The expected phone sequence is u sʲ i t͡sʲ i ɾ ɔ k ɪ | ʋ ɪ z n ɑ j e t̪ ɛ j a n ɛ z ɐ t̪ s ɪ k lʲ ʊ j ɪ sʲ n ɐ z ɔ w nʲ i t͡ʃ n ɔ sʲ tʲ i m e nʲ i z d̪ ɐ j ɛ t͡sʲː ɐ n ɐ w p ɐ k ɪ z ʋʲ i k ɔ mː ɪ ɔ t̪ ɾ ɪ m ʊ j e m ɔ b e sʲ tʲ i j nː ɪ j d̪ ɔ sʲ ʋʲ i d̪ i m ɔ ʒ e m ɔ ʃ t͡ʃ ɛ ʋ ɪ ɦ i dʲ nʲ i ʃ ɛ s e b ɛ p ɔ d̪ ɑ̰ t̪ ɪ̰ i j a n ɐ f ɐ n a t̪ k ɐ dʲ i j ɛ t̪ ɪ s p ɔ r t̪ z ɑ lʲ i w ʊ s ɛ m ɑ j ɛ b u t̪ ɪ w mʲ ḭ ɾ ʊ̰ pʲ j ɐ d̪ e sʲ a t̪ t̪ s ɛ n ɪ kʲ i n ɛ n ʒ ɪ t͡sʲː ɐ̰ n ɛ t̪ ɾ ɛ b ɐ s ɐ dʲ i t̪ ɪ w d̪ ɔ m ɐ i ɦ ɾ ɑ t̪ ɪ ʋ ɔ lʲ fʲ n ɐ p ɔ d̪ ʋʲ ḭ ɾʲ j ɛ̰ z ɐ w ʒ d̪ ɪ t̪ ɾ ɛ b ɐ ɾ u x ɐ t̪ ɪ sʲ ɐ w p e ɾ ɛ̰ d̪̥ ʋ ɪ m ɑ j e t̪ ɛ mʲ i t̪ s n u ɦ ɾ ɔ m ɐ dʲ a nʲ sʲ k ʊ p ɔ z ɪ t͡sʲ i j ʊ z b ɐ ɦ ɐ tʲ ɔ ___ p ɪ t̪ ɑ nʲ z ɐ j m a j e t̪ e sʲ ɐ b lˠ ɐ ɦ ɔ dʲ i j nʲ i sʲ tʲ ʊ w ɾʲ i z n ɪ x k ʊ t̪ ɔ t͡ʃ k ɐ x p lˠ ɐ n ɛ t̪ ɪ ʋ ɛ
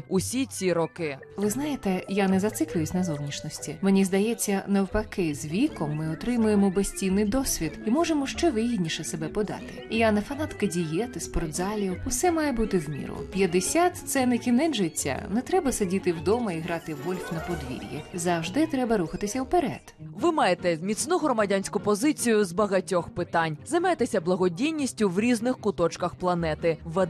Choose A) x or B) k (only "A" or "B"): A